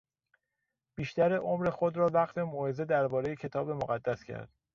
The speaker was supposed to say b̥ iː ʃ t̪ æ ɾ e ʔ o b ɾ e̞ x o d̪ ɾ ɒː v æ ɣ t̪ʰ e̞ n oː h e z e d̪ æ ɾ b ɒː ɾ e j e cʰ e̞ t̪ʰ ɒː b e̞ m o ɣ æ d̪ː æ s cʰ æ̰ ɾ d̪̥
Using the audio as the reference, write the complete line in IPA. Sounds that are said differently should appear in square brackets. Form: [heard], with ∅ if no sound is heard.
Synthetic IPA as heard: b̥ iː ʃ t̪ æ ɾ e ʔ o [m] ɾ e̞ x o d̪ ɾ ɒː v æ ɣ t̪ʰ e̞ [m] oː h e z e d̪ æ ɾ b ɒː ɾ e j e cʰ e̞ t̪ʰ ɒː b e̞ m o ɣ æ d̪ː æ s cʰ æ̰ ɾ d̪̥